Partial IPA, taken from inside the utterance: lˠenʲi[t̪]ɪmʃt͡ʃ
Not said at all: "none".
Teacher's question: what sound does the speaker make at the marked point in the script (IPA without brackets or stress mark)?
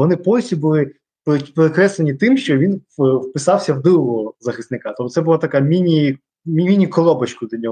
t̪